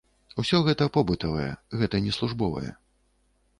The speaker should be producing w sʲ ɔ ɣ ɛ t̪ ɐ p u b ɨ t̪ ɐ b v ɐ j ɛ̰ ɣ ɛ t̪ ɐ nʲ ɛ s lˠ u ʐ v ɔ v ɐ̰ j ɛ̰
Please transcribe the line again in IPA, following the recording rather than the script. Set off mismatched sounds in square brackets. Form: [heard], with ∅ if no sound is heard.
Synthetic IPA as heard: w sʲ ɔ ɣ ɛ t̪ ɐ p [ɔ] b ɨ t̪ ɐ [∅] v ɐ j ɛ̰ ɣ ɛ t̪ ɐ nʲ ɛ s lˠ u ʐ [b] ɔ v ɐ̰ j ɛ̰